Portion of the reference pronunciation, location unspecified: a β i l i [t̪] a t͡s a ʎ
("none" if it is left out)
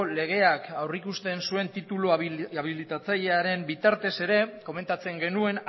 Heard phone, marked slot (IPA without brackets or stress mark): t̪